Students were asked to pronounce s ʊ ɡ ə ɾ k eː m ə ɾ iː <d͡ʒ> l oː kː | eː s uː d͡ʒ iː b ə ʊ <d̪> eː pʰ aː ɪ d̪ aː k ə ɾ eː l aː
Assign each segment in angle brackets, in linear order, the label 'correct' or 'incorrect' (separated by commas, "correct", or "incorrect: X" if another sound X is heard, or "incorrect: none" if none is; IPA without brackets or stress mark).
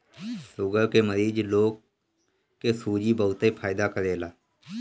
correct, incorrect: t̪